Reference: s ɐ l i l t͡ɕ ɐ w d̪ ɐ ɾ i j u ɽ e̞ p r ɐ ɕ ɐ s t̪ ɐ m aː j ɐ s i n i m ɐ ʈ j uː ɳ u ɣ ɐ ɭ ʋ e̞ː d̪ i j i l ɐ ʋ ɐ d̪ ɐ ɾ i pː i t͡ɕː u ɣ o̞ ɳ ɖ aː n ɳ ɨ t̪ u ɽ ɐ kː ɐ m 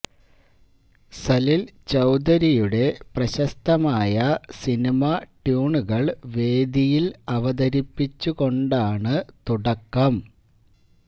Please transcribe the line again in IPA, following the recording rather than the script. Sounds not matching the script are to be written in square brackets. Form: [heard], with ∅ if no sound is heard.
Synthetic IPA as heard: s ɐ l i l t͡ɕ ɐ w d̪ ɐ ɾ i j u ɽ e̞ p r ɐ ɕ ɐ s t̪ ɐ m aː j ɐ s i n i m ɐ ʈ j uː ɳ u ɣ ɐ ɭ ʋ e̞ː d̪ i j i l ɐ ʋ ɐ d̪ ɐ ɾ i pː i t͡ɕː u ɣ o̞ ɳ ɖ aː [∅] ɳ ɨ t̪ u ɽ ɐ kː ɐ m